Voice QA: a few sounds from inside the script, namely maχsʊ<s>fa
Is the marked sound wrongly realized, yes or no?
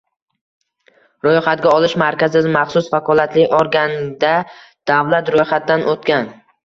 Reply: no